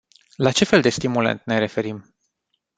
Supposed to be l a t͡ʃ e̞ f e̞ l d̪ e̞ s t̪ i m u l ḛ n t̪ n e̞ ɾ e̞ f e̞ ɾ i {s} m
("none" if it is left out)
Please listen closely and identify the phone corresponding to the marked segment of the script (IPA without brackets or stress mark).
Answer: none